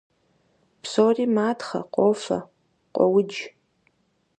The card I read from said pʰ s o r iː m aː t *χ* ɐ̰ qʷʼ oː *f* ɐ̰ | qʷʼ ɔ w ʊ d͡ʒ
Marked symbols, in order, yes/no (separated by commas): yes, yes